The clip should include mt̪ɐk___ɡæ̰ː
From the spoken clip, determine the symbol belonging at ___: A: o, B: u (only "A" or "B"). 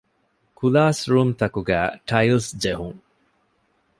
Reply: B